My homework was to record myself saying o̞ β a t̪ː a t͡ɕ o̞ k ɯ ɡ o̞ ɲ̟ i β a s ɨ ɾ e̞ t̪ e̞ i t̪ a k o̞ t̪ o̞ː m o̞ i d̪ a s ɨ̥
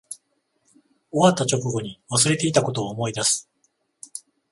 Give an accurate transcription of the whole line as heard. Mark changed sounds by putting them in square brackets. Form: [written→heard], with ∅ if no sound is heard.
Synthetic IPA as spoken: o̞ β a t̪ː a t͡ɕ o̞ k ɯ ɡ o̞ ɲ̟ i β a s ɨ ɾ e̞ t̪ e̞ i t̪ a k o̞ t̪ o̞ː m o̞ i d̪ a s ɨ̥